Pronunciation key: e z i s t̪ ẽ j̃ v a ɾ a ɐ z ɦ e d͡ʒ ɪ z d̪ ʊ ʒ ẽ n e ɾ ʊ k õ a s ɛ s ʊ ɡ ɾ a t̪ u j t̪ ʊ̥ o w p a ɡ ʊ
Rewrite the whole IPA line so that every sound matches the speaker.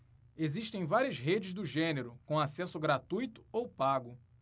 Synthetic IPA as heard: e z i ʃ t̪ ẽ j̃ v a ɾ i ɐ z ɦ e d͡ʒ ɪ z d̪ ʊ ʒ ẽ n e ɾ ʊ k õ a s ɛ s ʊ ɡ ɾ a t̪ u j t̪ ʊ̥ o w p a ɡ ʊ